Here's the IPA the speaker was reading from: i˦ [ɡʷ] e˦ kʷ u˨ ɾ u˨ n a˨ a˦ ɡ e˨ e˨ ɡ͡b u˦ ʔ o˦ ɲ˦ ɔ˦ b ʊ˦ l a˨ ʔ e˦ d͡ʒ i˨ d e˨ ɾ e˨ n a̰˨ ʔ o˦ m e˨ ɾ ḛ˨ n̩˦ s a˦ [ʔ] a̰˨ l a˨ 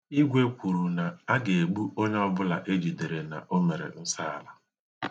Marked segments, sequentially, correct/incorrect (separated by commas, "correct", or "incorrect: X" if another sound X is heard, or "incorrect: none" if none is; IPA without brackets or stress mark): correct, incorrect: none